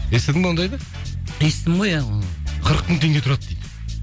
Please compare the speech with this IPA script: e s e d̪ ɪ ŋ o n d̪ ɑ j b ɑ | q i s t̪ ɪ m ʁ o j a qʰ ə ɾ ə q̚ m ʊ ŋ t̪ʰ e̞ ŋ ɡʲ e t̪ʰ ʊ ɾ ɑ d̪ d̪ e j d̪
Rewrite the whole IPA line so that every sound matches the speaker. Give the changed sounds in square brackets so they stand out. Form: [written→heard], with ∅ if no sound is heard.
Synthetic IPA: e s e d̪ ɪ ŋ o n d̪ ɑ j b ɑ | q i s t̪ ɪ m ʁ o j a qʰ ə ɾ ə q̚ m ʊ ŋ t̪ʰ e̞ ŋ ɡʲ e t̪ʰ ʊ ɾ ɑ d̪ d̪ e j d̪